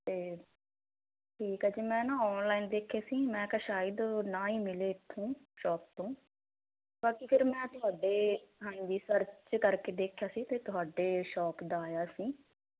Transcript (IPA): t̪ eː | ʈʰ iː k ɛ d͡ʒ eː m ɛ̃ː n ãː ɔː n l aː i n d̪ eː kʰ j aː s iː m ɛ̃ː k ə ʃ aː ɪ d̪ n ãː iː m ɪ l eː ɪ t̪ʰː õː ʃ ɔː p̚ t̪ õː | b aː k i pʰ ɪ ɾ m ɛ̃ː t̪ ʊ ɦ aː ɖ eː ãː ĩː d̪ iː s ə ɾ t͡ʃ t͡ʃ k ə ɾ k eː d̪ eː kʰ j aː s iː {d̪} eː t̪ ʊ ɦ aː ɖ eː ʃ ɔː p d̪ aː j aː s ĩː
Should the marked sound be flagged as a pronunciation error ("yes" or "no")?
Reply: yes